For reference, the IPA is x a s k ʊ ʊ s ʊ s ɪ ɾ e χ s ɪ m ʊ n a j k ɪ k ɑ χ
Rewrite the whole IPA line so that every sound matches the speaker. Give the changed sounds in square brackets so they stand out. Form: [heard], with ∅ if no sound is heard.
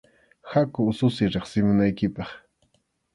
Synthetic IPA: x a [∅] k ʊ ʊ s ʊ s ɪ ɾ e χ s ɪ m ʊ n a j k ɪ [p] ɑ χ